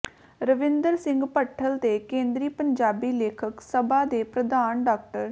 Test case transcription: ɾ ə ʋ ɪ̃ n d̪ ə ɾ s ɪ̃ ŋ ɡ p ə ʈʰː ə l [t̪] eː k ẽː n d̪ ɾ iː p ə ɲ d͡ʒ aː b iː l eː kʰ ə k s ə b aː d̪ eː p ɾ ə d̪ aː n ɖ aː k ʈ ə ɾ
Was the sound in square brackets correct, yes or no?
yes